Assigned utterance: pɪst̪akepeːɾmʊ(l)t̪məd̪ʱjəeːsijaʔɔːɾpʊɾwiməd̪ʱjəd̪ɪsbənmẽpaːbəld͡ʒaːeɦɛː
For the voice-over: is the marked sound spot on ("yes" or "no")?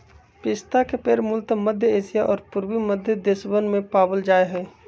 yes